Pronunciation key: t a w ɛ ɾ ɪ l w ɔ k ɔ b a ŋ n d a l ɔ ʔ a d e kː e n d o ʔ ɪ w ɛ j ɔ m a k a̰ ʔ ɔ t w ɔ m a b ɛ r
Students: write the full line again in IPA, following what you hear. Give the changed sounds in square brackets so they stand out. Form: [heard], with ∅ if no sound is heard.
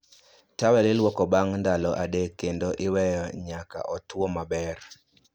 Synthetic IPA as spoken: t a w ɛ [l] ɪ l w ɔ k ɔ b a ŋ n d a l ɔ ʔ a d e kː e n d o ʔ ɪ w ɛ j ɔ [ɲ] a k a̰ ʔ ɔ t w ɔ m a b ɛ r